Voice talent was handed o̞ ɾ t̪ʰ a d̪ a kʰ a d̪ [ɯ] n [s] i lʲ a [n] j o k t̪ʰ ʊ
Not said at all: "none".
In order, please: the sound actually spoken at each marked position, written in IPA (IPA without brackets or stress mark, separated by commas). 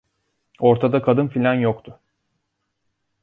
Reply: ɯ, f, n